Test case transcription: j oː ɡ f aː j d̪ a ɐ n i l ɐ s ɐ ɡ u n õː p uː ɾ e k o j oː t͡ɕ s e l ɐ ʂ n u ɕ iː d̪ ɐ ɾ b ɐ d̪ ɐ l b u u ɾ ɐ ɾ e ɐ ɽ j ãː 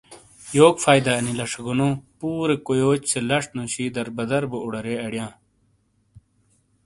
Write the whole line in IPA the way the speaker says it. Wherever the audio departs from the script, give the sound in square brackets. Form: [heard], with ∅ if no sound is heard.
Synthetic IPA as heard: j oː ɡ f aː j d̪ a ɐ n i l ɐ [ʂ] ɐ ɡ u n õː p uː ɾ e k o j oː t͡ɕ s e l ɐ ʂ n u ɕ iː d̪ ɐ ɾ b ɐ d̪ ɐ [ɾ] b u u [ɽ] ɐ ɾ e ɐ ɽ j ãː